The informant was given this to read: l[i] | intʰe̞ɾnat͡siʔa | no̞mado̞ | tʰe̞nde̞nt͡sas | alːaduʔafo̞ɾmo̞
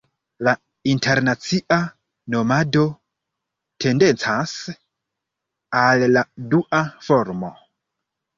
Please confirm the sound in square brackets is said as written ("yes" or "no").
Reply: no